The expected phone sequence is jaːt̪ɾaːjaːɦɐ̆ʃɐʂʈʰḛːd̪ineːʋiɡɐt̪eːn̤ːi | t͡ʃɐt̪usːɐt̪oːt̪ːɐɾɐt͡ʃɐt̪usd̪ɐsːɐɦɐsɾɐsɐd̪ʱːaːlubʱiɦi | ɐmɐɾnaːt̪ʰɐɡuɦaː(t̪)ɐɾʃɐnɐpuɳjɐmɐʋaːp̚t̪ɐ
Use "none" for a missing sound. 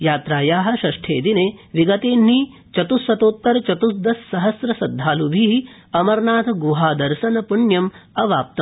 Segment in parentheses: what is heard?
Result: d̪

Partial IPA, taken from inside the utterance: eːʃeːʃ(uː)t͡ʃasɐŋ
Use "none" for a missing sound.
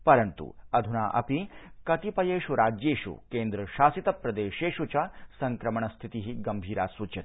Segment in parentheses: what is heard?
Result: u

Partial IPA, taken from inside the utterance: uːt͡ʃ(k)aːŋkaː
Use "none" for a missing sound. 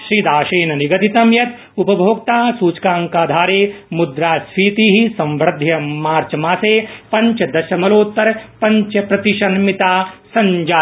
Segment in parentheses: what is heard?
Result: k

